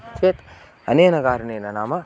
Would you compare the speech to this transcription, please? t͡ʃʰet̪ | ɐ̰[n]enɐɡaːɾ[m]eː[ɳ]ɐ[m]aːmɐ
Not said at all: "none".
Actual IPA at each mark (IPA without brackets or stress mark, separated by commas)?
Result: n, n, n, n